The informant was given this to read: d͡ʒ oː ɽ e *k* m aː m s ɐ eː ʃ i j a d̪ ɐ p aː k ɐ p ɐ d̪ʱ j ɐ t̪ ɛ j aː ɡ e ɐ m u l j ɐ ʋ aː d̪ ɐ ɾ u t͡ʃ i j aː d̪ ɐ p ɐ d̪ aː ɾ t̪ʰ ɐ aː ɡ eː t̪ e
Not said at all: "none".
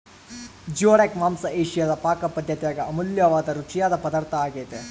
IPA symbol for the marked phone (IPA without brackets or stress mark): k